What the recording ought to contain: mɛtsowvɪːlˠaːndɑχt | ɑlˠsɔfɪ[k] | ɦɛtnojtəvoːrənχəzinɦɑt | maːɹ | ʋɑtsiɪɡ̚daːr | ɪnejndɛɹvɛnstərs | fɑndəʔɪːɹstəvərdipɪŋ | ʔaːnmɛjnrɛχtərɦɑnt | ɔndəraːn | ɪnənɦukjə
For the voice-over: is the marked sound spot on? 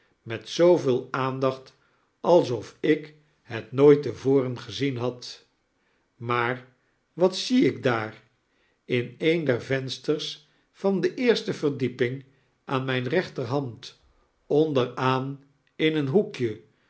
yes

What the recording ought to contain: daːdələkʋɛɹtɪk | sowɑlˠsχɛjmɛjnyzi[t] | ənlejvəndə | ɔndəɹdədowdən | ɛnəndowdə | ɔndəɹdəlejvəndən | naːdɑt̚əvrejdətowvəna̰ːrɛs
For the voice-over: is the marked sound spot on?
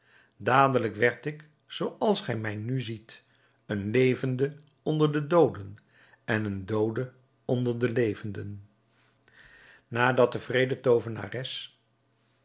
yes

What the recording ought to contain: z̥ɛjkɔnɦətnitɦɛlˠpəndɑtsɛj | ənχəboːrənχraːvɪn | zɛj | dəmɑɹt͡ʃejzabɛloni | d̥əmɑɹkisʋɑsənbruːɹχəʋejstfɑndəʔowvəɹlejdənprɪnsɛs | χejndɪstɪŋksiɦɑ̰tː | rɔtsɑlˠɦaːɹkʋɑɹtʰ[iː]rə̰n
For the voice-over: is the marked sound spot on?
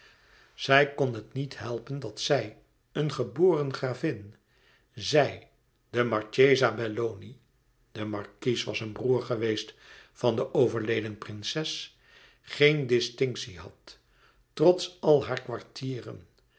yes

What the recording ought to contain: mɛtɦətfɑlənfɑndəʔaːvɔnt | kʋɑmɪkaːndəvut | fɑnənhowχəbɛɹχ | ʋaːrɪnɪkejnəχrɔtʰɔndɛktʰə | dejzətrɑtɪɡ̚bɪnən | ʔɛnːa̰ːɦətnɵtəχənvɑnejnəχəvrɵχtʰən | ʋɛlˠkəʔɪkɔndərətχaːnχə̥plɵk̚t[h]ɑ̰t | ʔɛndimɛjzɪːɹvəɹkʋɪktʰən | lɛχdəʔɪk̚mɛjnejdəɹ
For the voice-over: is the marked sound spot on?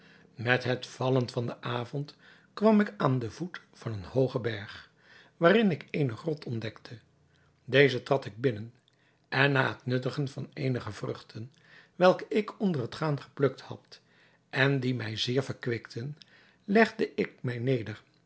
yes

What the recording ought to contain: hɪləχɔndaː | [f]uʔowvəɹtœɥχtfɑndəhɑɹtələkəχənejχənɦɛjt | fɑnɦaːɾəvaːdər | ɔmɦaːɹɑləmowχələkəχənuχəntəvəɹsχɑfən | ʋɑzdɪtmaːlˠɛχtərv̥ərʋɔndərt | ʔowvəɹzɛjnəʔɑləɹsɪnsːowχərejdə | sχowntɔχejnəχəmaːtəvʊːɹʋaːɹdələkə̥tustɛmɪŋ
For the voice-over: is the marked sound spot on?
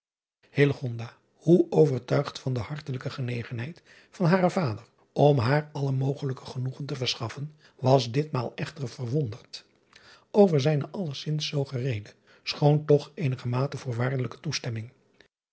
no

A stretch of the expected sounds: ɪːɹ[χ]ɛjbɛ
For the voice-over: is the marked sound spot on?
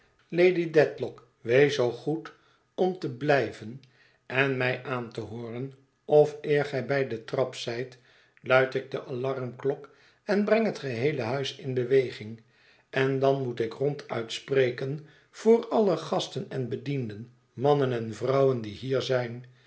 yes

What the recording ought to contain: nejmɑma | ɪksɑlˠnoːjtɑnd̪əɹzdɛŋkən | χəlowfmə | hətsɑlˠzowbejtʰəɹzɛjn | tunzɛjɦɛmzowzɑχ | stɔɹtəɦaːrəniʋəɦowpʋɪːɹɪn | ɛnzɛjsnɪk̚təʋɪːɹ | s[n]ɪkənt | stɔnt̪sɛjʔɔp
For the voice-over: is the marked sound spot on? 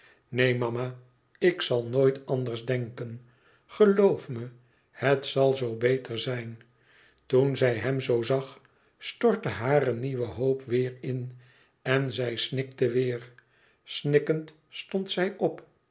yes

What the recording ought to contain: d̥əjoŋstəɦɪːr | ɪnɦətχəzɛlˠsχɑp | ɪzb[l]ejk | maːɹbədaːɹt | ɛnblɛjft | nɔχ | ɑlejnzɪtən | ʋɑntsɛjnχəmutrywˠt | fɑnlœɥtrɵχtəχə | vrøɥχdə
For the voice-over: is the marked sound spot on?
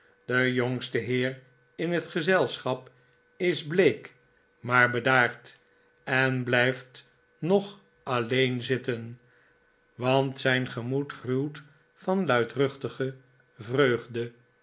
yes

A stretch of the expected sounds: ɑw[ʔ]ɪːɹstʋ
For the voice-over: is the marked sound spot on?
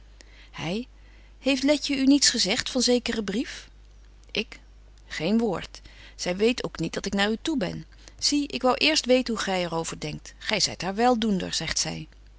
yes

